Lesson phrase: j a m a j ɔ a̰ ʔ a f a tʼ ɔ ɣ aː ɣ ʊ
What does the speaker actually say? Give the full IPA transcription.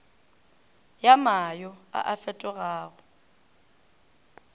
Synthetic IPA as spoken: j a m a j ɔ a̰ ʔ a f ɛ tʼ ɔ ɣ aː ɣ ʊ